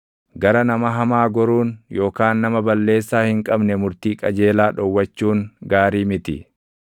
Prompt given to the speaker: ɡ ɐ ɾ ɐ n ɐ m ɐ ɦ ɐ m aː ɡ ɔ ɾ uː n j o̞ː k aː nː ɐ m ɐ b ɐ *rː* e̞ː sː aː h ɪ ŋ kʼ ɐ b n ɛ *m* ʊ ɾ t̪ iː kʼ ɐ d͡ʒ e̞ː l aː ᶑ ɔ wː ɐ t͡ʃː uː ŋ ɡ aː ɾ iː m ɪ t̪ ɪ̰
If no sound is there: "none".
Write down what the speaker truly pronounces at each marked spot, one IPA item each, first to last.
lː, m

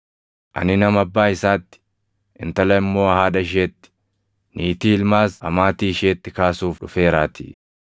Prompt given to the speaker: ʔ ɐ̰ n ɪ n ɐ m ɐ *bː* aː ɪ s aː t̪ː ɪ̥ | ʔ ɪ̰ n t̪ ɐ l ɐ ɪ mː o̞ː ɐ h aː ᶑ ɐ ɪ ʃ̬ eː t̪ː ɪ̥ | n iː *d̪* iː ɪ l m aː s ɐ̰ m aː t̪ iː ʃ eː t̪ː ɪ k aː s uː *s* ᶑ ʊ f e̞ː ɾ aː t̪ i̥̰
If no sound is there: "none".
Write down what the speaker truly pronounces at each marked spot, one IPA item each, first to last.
bː, t̪, f

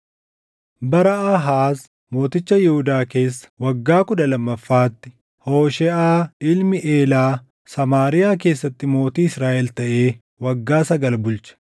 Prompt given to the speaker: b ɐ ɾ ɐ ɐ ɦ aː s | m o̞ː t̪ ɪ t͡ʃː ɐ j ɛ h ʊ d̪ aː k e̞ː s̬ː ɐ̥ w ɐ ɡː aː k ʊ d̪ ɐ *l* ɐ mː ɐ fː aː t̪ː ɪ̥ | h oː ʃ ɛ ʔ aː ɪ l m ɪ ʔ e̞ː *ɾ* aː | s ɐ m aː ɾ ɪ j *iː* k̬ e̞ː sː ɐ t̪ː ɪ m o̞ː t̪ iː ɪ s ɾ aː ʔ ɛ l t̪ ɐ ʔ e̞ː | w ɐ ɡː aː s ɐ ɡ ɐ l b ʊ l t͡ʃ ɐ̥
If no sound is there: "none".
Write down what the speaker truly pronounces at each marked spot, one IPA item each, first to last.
l, l, aː

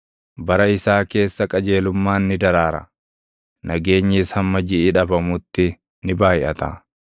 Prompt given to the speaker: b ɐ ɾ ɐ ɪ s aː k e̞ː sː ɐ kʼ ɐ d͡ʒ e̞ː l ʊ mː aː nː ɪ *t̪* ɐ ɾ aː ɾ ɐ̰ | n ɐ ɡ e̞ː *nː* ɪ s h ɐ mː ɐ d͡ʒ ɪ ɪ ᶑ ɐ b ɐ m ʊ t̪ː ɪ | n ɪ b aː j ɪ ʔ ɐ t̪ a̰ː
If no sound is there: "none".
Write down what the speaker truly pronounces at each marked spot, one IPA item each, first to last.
d̪, ɲː

